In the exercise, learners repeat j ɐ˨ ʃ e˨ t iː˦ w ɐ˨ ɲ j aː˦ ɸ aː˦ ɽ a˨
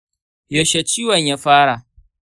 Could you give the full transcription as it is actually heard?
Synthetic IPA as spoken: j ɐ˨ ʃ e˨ t͡ʃ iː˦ w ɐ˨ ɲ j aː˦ ɸ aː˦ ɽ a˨